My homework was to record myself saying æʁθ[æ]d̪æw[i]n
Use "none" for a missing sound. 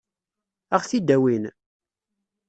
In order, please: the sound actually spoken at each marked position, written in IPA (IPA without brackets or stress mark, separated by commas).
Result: i, i